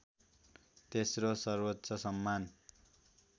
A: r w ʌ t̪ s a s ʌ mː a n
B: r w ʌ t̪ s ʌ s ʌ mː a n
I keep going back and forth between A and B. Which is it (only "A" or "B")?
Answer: B